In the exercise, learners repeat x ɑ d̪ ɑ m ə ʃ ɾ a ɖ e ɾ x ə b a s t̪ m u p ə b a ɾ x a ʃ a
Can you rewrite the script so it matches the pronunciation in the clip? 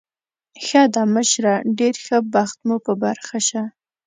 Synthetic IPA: x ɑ d̪ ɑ m ə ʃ ɾ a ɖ e ɾ x ə b a x t̪ m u p ə b a ɾ x a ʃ a